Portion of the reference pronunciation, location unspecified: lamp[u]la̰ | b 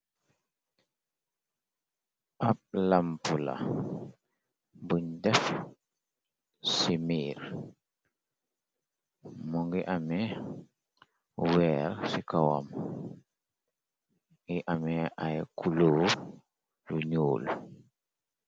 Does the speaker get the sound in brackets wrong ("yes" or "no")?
no